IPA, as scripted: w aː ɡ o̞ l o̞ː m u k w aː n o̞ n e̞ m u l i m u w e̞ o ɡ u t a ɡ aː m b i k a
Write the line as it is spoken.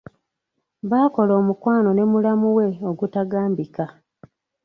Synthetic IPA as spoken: β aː k o̞ l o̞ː m u k w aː n o̞ n e̞ m u l a m u w e̞ o ɡ u t a ɡ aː m b i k a